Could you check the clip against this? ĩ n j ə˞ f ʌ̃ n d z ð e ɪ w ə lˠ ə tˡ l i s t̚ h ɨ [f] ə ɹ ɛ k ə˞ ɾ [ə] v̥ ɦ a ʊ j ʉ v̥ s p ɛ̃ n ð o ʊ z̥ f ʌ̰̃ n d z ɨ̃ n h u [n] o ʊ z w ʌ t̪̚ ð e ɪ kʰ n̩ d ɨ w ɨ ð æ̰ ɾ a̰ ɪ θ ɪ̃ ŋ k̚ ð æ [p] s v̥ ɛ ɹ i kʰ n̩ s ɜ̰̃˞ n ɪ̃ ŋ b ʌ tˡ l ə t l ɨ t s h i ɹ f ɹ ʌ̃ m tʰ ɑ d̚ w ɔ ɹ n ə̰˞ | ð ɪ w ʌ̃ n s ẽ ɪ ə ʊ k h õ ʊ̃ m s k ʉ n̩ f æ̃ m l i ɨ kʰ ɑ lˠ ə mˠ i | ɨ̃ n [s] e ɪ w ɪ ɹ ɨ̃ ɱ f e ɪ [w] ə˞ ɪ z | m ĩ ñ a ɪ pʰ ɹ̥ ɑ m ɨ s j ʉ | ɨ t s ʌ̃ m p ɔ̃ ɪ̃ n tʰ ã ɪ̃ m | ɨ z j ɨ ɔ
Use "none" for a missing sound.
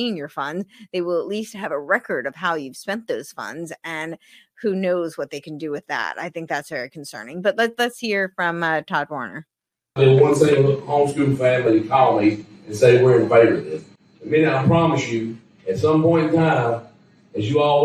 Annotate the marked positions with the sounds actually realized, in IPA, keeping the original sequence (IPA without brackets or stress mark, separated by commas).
v, ʌ, n, t, s, v